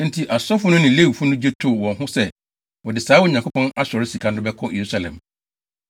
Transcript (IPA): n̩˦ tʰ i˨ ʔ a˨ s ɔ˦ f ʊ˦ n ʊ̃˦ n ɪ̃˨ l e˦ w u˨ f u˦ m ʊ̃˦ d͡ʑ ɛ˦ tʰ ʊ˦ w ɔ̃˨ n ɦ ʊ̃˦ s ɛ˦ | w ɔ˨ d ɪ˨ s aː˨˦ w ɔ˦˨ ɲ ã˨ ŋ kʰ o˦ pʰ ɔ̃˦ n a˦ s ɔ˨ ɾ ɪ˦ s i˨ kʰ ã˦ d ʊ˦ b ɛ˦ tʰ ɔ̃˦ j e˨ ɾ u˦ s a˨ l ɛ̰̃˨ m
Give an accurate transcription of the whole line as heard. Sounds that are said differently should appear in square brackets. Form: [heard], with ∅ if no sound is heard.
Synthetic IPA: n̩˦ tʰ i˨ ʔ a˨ s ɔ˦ f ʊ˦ n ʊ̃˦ n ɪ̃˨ l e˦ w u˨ f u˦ [n] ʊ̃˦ d͡ʑ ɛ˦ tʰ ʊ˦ w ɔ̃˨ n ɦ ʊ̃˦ s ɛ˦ | w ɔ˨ d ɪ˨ s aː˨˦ w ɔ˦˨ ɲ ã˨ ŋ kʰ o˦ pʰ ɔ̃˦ n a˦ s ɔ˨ ɾ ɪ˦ s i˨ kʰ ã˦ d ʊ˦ b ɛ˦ [kʰ] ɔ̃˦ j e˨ ɾ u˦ s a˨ l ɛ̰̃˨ m